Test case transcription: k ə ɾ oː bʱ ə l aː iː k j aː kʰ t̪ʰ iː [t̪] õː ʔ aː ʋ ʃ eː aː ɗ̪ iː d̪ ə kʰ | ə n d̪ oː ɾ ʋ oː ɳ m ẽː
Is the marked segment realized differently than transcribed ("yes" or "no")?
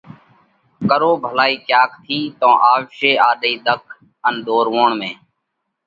no